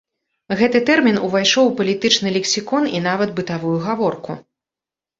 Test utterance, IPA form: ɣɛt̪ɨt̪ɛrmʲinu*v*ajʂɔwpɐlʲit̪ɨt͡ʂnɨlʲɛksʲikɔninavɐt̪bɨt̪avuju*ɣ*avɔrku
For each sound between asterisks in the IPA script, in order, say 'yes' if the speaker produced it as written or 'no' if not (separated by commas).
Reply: yes, yes